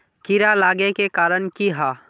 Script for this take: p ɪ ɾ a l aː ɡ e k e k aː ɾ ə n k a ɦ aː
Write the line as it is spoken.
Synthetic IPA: k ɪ ɾ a l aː ɡ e k e k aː ɾ ə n k i ɦ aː